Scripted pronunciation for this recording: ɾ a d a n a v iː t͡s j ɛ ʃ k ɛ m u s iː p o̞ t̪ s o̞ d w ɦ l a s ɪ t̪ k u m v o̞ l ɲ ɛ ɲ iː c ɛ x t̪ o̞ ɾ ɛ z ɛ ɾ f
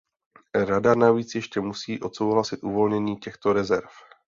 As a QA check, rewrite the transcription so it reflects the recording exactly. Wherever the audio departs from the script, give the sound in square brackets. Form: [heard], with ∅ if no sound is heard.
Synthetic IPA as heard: ɾ a d a n a v iː t͡s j ɛ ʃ [c] ɛ m u s iː [ʔ] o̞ t̪ s o̞ [∅] w ɦ l a s ɪ t̪ [ʔ] u [∅] v o̞ l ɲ ɛ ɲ iː c ɛ x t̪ o̞ ɾ ɛ z ɛ ɾ f